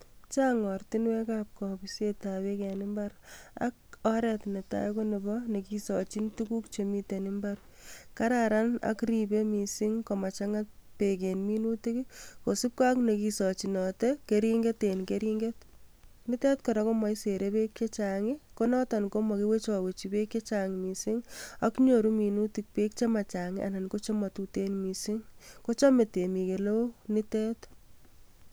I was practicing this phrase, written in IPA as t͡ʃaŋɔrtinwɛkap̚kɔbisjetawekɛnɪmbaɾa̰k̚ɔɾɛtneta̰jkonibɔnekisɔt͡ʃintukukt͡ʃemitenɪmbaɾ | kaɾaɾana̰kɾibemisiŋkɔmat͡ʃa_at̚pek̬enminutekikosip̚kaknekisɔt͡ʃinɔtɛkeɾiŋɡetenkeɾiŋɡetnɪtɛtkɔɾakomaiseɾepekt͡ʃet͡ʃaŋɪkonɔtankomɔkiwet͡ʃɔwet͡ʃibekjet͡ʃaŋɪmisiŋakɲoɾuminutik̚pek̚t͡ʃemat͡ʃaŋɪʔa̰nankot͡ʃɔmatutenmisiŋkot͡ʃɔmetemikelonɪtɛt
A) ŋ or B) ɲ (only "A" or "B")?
A